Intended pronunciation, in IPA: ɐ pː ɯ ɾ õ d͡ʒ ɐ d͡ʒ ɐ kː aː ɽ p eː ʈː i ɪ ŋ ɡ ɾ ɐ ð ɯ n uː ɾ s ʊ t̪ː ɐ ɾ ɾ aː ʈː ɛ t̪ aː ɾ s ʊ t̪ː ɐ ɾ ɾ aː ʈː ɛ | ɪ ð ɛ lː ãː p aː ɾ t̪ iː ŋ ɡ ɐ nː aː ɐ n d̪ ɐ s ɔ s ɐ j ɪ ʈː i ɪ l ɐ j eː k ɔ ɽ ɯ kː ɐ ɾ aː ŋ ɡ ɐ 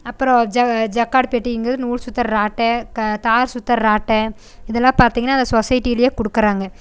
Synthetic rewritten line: ɐ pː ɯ ɾ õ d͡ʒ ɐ d͡ʒ ɐ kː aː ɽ p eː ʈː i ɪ ŋ ɡ ɾ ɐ ð ɯ n uː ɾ s ʊ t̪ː ɐ ɾ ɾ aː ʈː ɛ t̪ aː ɾ s ʊ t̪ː ɐ ɾ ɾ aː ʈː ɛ | ɪ ð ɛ lː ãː p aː ɾ t̪ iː ŋ ɡ ɐ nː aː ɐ n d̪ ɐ s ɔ s ɐ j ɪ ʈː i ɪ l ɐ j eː k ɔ ɽ ɯ kː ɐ ɾ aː ŋ ɡ ɐ